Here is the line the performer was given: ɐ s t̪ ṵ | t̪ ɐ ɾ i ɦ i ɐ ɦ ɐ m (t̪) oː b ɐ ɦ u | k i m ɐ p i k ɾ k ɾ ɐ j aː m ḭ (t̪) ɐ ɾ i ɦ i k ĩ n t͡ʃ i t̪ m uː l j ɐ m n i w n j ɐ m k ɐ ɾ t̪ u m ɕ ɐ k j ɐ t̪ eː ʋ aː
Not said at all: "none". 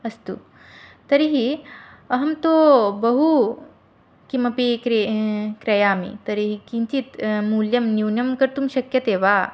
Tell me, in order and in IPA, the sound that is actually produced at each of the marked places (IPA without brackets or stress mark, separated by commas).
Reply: t̪, t̪